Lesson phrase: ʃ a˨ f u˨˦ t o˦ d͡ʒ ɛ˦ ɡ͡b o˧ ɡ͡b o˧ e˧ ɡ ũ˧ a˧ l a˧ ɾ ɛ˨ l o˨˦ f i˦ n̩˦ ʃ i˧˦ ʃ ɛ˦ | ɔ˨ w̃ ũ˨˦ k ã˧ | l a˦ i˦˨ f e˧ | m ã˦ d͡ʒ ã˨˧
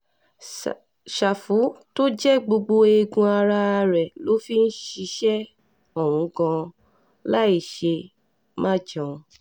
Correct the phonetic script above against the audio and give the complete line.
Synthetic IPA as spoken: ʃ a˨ f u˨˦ t o˦ d͡ʒ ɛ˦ ɡ͡b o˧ ɡ͡b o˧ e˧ ɡ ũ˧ a˧ ɾ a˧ ɾ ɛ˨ l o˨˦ f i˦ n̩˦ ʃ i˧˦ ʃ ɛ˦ | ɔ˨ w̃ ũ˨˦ k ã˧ | l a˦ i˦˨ ʃ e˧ | m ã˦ d͡ʒ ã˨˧

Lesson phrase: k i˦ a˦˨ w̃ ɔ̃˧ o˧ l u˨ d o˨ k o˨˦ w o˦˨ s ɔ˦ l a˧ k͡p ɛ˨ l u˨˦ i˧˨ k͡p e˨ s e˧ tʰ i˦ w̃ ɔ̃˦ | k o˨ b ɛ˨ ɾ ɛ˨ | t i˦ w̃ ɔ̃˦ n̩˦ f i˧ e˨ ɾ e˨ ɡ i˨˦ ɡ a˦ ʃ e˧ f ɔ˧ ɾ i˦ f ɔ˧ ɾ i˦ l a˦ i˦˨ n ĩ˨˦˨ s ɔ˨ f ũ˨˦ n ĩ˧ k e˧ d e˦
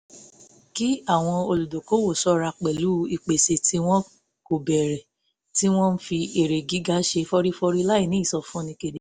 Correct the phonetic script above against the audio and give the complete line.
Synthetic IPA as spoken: k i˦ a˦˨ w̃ ɔ̃˧ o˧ l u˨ d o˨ k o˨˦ w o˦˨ s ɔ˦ ɾ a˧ k͡p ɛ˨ l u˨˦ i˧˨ k͡p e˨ s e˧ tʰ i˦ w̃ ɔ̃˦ | k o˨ b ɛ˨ ɾ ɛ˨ | t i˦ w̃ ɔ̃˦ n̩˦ f i˧ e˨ ɾ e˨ ɡ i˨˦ ɡ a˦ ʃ e˧ f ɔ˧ ɾ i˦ f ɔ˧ ɾ i˦ l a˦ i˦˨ n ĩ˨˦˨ s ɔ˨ f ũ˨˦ n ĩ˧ k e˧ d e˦

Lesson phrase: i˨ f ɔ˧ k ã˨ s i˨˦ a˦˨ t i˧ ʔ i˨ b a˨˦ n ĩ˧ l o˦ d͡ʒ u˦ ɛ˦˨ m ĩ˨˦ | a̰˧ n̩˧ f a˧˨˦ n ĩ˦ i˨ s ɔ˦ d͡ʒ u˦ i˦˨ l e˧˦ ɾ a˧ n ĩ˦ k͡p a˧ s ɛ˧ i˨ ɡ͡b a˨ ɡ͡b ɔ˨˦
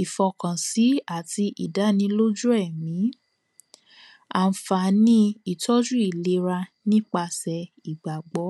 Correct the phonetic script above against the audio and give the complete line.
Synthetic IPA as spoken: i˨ f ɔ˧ k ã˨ s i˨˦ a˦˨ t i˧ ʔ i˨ d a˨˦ n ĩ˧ l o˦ d͡ʒ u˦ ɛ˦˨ m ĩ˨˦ | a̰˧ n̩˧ f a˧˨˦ n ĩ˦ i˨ t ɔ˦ d͡ʒ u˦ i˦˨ l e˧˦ ɾ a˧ n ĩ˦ k͡p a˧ s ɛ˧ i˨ ɡ͡b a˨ ɡ͡b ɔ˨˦

